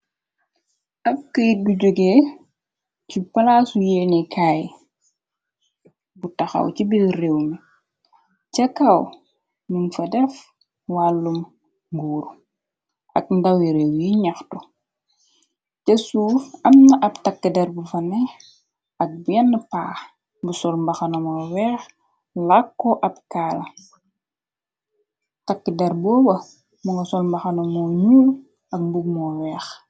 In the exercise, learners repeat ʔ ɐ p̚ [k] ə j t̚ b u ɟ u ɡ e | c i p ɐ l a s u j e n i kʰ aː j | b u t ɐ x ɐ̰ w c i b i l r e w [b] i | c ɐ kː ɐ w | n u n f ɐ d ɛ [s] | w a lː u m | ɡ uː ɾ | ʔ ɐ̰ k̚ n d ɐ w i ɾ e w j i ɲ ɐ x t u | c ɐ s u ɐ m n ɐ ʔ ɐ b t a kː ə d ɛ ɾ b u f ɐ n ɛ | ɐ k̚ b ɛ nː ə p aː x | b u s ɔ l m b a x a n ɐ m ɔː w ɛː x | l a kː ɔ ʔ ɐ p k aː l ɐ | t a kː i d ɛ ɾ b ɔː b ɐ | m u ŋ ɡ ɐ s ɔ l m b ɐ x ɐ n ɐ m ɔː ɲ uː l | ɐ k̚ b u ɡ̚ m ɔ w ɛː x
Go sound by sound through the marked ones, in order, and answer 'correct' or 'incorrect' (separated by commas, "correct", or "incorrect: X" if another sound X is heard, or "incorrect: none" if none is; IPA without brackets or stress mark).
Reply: correct, incorrect: m, incorrect: f